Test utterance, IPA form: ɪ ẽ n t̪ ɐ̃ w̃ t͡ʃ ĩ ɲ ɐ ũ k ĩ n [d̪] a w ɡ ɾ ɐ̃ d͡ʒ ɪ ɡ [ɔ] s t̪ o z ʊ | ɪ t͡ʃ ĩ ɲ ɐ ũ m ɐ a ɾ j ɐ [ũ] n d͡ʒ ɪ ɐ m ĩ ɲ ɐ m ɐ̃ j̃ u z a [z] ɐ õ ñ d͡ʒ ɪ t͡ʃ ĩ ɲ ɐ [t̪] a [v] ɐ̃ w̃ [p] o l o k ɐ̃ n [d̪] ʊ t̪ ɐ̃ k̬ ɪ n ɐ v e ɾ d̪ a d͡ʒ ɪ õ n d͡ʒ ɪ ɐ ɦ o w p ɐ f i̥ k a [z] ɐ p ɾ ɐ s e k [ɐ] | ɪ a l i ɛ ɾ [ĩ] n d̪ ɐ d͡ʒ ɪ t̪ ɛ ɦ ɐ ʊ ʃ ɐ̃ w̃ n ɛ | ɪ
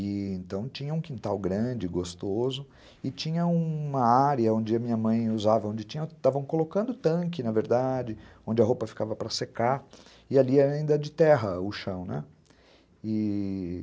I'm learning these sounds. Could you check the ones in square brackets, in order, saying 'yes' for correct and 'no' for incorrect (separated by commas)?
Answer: no, no, no, no, yes, yes, no, yes, no, no, yes